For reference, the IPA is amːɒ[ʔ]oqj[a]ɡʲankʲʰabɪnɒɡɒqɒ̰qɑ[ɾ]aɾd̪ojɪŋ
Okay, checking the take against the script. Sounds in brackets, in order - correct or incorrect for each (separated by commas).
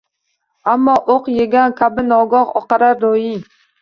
correct, incorrect, correct